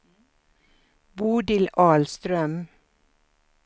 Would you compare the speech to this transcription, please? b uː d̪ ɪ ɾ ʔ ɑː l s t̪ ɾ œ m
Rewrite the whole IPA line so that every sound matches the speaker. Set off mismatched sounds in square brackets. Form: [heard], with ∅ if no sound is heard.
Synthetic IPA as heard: b uː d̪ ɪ [l] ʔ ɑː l s t̪ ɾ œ m